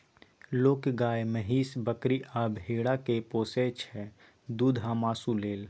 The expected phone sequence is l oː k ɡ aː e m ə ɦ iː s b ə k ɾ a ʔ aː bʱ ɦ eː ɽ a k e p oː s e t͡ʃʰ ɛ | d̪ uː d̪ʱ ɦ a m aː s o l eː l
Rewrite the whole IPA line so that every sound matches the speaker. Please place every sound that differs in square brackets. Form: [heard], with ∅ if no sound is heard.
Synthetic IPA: l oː k ɡ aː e m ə ɦ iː s b ə k ɾ [i] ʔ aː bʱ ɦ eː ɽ a k e p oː s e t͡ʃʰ ɛ | d̪ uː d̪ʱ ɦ a m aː s [u] l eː l